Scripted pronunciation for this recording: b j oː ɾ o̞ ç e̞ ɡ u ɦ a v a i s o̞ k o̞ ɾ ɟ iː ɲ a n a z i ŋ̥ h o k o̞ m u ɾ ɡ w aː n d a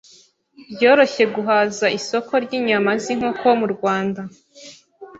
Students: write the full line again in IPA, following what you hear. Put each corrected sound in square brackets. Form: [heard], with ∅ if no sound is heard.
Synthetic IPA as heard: b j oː ɾ o̞ ç e̞ ɡ u ɦ a [z] a i s o̞ k o̞ ɾ ɟ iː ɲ a [m] a z i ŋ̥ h o k o̞ m u ɾ ɡ w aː n d a